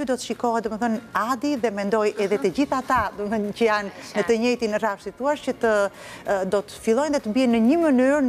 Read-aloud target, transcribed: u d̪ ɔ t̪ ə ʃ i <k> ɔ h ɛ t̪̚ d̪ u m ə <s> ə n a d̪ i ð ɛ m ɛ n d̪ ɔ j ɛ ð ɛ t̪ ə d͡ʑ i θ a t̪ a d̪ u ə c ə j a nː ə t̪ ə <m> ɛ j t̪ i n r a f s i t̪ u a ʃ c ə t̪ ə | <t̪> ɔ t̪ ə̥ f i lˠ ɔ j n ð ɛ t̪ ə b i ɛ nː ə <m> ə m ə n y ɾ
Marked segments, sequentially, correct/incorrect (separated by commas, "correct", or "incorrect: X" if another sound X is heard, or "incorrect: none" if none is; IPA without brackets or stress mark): correct, incorrect: θ, incorrect: ɲ, incorrect: d̪, incorrect: ɲ